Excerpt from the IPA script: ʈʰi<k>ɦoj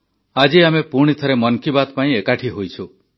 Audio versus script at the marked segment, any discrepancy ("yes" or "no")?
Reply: yes